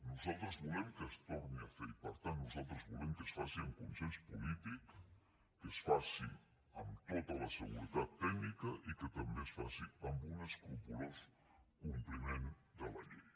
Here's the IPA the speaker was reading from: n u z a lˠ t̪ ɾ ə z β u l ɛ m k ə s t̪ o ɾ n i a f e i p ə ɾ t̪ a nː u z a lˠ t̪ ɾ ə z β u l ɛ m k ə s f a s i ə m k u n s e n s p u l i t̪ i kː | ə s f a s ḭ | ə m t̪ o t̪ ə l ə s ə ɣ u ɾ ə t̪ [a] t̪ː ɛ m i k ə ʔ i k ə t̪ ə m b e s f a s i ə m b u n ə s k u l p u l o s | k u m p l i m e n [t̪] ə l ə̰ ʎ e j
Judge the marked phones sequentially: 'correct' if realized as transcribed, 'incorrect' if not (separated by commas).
correct, incorrect